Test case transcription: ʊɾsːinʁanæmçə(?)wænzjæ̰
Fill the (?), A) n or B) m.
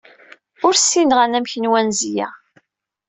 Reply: A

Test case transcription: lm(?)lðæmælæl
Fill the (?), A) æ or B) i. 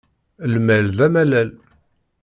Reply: A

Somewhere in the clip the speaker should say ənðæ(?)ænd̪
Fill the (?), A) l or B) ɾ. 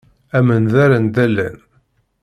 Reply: B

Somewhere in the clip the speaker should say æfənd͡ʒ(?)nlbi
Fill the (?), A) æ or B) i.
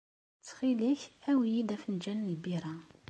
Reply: A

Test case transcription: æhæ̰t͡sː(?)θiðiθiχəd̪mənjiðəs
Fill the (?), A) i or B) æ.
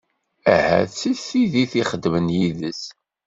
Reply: A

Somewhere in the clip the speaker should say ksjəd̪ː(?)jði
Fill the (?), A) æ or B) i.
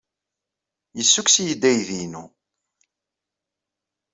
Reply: A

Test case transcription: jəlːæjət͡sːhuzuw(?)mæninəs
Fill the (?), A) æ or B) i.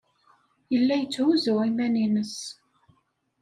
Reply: B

